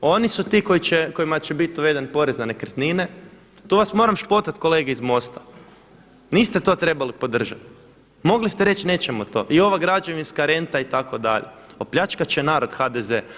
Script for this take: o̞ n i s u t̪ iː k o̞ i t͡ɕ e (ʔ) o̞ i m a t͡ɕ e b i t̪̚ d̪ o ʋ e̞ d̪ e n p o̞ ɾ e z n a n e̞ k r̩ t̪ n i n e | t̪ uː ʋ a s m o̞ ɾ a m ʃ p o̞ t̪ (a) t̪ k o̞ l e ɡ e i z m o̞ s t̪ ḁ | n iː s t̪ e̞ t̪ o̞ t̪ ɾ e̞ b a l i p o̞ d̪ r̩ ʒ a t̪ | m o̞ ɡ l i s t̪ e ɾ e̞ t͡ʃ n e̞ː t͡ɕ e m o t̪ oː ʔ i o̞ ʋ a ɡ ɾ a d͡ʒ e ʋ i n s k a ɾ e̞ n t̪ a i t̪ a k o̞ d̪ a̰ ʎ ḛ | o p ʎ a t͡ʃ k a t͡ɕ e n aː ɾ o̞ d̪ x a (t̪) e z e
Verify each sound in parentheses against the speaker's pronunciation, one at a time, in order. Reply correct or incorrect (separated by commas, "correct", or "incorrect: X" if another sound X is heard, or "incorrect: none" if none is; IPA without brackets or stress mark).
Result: incorrect: k, correct, incorrect: d̪